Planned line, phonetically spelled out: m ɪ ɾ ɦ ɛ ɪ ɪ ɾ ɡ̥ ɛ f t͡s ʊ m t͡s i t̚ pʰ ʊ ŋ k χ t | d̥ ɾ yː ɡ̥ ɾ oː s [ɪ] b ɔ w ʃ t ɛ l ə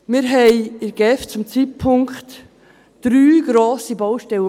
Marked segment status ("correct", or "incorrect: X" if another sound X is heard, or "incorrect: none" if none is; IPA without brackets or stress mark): incorrect: i